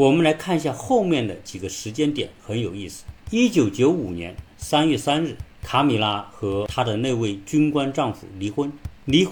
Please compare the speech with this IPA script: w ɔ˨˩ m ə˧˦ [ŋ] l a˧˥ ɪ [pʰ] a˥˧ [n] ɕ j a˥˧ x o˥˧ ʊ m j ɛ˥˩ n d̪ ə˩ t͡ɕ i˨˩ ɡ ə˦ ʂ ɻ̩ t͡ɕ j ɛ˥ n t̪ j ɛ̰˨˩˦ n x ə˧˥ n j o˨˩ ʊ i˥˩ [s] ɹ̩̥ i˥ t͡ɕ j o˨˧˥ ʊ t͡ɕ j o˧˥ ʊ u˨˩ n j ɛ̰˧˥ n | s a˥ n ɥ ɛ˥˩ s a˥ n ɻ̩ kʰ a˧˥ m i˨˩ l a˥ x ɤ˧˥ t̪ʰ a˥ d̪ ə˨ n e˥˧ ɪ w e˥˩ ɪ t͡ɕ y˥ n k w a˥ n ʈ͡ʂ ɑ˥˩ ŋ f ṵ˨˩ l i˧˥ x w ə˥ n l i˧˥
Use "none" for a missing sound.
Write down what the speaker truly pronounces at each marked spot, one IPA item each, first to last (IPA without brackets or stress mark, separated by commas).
n, kʰ, n, s